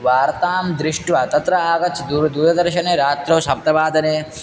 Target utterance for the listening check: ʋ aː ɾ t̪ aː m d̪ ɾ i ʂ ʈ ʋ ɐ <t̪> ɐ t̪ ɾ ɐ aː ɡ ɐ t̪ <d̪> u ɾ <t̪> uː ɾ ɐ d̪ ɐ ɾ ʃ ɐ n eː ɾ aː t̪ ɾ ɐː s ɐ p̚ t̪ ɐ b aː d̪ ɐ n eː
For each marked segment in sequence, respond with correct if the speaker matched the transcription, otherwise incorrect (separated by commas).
correct, correct, incorrect